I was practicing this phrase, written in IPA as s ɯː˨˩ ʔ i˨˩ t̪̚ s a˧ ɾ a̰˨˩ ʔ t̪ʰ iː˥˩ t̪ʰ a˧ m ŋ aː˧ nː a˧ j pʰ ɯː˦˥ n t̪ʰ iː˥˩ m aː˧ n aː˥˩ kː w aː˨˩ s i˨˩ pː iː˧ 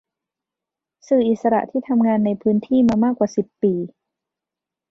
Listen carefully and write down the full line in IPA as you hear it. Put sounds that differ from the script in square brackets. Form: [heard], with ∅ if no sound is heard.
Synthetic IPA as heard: s ɯː˨˩ ʔ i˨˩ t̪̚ s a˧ ɾ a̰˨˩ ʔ t̪ʰ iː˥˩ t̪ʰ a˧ m ŋ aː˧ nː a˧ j pʰ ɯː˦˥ n t̪ʰ iː˥˩ m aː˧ [m] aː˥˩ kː w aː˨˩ s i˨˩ pː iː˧